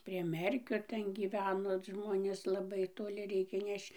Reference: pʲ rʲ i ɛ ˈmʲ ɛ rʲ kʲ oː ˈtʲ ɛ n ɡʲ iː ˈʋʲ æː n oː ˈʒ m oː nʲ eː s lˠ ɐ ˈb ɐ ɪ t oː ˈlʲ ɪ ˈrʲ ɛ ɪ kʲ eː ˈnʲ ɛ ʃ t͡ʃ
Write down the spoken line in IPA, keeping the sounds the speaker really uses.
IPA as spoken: pʲ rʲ i ɛ ˈmʲ ɛ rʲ kʲ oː ˈtʲ ɛ n ɡʲ iː ˈʋʲ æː n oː ˈʒ m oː nʲ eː s lˠ ɐ ˈb ɐ ɪ t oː ˈlʲ ɪ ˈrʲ ɛ ɪ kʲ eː ˈnʲ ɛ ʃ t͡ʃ